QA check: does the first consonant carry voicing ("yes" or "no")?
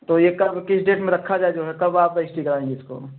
no